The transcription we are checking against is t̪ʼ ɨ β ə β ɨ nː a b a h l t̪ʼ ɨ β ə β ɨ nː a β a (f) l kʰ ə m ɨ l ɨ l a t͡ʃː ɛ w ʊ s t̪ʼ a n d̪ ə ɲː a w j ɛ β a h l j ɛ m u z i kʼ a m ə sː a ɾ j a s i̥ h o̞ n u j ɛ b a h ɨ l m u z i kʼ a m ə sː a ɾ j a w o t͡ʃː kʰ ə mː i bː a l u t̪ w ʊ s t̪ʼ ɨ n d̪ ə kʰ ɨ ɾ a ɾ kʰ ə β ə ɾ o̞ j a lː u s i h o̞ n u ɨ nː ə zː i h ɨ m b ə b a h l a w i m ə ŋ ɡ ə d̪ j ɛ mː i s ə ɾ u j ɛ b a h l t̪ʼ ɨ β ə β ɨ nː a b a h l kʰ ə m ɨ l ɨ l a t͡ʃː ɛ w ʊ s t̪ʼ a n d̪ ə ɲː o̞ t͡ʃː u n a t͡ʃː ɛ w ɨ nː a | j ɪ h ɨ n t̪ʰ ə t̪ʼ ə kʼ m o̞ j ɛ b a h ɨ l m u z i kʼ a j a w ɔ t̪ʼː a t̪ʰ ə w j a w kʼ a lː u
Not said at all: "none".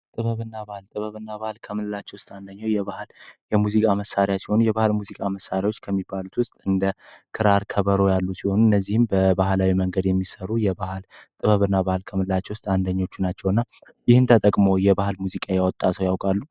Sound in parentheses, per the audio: h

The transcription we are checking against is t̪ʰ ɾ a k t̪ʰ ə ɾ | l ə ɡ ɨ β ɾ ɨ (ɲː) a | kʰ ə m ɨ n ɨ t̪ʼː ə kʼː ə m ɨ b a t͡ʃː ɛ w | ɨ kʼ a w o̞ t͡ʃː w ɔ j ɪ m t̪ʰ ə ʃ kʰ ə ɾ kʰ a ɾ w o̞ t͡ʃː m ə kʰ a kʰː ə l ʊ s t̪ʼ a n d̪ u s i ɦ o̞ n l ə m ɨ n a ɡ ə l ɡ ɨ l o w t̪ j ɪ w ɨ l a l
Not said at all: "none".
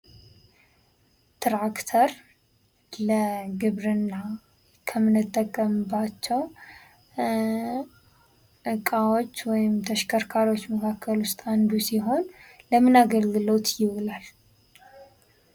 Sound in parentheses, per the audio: nː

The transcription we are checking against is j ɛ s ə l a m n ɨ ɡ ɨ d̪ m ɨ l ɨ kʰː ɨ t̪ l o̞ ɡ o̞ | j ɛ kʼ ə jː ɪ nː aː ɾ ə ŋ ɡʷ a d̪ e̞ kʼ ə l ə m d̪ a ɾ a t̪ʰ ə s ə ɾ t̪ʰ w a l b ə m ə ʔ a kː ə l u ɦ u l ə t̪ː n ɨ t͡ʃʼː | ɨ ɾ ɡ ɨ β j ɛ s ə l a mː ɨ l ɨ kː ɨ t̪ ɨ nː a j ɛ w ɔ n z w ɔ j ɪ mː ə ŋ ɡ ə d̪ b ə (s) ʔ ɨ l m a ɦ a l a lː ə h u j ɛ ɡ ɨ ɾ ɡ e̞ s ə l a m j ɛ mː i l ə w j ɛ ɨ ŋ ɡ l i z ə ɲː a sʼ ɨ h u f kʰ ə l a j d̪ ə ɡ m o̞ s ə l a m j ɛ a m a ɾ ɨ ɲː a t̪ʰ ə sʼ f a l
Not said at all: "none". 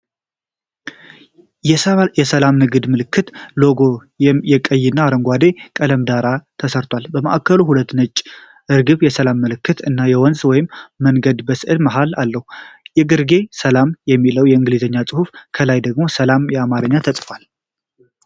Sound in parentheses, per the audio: s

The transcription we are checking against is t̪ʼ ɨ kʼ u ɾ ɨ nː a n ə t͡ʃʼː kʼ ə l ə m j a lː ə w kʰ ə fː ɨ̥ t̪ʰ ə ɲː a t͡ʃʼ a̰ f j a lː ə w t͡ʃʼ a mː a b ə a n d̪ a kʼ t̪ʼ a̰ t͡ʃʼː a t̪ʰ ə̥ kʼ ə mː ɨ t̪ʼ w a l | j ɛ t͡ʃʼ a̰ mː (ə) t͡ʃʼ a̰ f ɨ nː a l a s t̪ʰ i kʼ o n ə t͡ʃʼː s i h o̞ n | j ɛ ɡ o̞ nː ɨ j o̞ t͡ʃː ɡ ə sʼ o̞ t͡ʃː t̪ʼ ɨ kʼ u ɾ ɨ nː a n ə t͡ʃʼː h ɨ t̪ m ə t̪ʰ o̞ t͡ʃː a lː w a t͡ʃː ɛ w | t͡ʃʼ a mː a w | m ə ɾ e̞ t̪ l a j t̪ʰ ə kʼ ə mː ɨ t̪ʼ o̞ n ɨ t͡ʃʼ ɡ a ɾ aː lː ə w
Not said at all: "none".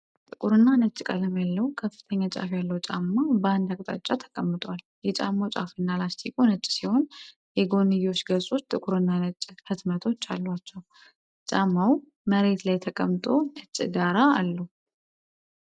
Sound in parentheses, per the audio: a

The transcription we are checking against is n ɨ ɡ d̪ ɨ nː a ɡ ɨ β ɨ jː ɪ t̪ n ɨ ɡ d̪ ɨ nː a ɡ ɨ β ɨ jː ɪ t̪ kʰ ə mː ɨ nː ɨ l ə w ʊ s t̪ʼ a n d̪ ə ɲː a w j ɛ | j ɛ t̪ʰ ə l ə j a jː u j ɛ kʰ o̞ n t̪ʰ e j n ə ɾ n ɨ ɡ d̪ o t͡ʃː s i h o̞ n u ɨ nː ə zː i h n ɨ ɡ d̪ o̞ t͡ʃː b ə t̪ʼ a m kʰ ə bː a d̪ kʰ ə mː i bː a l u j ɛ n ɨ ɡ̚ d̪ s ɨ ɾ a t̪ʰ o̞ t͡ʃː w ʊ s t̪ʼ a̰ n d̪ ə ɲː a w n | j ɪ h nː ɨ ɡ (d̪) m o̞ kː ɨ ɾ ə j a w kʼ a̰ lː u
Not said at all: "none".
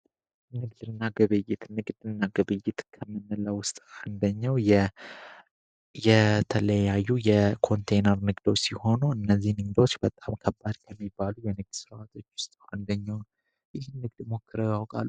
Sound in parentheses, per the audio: d̪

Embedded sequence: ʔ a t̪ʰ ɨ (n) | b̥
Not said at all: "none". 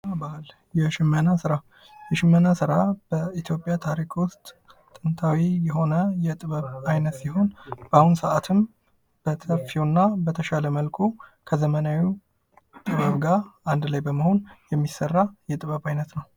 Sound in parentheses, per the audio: m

